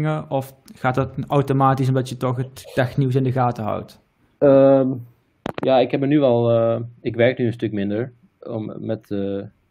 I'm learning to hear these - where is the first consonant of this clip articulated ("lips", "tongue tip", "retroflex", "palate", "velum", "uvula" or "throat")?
velum